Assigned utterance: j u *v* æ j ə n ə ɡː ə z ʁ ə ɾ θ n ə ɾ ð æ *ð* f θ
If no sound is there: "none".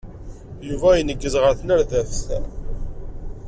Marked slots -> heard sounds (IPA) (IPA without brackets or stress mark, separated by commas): v, none